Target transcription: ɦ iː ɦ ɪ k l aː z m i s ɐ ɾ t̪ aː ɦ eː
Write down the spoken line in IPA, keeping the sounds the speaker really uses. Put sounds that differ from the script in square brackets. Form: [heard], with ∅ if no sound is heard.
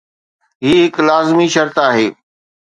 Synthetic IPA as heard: ɦ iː ɦ ɪ k l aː z m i [ʃ] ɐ ɾ t̪ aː ɦ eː